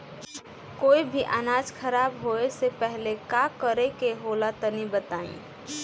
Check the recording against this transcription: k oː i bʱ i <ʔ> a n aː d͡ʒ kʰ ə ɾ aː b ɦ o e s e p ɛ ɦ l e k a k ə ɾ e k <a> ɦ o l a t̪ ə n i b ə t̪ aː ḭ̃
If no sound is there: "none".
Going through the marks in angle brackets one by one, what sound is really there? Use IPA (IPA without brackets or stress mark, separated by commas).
ʔ, e